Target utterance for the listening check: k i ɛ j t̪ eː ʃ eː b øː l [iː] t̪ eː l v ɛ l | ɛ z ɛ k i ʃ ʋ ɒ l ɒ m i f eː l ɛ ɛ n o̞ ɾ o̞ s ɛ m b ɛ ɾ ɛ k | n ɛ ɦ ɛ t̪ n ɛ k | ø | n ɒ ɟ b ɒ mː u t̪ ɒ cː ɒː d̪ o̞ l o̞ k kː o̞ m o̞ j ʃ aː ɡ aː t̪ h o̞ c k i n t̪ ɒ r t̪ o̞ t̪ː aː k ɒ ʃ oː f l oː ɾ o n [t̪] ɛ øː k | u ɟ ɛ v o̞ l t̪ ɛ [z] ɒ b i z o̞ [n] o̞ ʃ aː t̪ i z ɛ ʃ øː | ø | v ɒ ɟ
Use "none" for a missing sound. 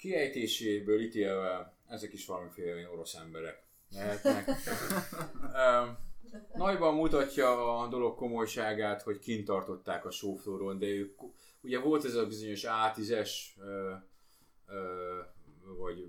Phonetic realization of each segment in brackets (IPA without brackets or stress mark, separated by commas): i, d̪, z, ɲ